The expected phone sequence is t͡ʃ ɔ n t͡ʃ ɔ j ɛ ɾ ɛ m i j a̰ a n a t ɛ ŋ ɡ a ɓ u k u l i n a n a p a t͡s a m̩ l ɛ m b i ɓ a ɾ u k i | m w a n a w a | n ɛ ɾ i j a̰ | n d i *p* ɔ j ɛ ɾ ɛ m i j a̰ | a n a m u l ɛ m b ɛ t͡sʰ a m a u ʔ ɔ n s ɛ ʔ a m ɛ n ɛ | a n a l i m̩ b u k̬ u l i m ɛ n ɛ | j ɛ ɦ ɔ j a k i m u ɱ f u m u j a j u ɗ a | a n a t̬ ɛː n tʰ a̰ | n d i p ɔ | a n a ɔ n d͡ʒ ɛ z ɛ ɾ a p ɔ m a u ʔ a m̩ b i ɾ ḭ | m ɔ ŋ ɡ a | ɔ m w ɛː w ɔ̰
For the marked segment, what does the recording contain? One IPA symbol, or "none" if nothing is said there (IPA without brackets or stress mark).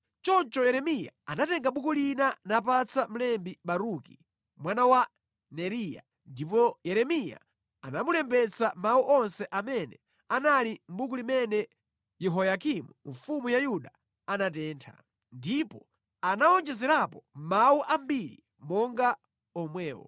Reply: p